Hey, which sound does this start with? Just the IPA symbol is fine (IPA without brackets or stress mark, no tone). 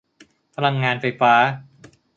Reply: pʰ